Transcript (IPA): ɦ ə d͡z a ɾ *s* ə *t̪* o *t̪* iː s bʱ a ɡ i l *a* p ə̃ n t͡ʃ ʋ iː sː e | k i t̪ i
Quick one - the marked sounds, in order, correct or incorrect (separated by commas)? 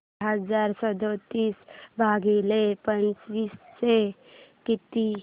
correct, incorrect, correct, incorrect